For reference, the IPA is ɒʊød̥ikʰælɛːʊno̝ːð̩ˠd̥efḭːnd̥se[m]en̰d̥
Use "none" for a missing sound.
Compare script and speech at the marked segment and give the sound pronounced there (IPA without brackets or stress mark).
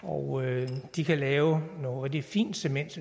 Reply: m